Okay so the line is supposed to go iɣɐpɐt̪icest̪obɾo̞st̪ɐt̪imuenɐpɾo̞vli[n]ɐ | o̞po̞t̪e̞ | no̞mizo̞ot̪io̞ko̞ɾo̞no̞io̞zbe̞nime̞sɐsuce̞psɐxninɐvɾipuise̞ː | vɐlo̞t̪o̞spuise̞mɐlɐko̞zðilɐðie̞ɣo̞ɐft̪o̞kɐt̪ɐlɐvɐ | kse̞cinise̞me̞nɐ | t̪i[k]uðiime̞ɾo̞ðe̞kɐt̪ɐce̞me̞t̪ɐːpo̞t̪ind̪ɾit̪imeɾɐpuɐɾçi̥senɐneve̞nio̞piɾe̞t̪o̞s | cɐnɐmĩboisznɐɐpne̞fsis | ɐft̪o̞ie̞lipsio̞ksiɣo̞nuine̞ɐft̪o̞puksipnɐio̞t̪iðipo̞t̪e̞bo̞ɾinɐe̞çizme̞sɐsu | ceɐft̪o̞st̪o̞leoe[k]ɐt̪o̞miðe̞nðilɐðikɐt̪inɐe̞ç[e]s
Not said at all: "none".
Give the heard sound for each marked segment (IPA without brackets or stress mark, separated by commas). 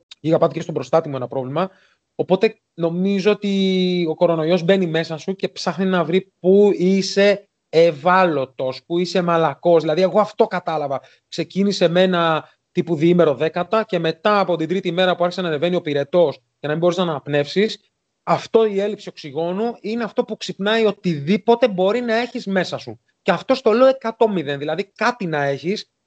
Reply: m, p, k, i